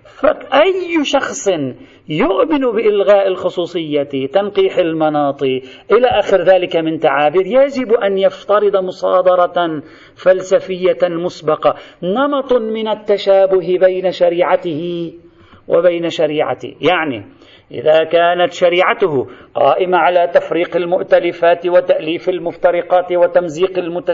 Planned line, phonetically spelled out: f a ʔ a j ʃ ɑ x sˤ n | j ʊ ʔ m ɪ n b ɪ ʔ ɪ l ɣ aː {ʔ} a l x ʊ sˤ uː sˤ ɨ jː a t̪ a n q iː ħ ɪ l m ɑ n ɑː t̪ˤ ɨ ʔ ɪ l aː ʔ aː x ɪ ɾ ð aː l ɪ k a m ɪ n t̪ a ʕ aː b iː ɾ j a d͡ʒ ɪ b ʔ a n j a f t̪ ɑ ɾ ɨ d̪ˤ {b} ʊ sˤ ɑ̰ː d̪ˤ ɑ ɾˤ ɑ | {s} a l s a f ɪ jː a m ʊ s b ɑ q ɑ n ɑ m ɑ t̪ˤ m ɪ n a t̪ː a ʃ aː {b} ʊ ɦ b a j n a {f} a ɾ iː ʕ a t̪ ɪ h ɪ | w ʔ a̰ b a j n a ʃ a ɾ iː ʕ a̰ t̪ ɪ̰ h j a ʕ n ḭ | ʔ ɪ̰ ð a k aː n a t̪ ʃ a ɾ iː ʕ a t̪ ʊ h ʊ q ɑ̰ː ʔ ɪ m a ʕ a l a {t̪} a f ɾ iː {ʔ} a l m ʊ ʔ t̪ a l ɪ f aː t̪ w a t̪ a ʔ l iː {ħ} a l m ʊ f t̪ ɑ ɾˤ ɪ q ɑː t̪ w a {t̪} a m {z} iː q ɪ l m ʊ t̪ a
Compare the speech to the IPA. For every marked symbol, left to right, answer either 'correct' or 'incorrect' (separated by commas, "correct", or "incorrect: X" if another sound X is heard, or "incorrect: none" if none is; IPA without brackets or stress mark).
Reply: correct, incorrect: m, incorrect: f, correct, incorrect: ʃ, correct, incorrect: q, incorrect: f, correct, correct